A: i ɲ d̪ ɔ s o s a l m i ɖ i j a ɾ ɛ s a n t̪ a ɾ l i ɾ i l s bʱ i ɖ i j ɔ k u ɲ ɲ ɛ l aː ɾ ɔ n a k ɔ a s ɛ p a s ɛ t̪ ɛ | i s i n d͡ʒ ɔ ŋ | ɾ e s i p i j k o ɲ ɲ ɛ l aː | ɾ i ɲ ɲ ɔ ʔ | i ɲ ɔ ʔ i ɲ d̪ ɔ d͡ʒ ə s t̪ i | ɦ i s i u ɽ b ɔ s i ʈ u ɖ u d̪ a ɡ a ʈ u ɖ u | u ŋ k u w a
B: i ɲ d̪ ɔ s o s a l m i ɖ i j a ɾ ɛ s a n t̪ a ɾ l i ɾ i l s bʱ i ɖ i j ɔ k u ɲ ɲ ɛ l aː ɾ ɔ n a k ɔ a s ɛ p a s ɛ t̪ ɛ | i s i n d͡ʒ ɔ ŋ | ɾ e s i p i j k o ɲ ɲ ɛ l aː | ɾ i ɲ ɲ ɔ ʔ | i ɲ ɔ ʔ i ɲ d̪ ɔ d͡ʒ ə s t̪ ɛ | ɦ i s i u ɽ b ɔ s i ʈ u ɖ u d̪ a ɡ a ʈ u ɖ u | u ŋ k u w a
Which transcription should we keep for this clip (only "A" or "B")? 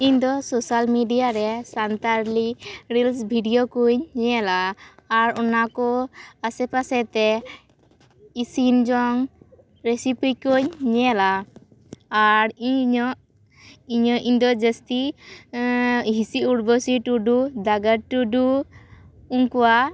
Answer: A